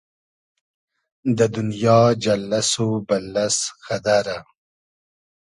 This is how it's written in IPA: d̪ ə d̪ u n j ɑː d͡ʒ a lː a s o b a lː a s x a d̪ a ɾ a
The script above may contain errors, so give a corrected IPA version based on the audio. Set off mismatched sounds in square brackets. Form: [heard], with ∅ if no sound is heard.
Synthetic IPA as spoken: d̪ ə d̪ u n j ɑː d͡ʒ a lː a s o b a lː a s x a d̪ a ɾ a